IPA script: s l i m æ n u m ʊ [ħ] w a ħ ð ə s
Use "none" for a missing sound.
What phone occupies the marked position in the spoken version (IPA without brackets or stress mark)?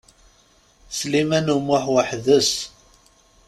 ħ